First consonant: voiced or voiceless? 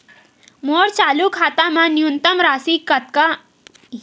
voiced